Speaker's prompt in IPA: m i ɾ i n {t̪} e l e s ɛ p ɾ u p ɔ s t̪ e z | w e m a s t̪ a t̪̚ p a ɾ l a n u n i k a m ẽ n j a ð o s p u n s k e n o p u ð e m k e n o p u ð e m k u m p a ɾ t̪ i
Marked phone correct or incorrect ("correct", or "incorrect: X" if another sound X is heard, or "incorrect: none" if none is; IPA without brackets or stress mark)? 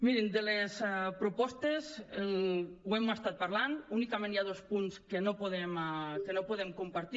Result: incorrect: d̪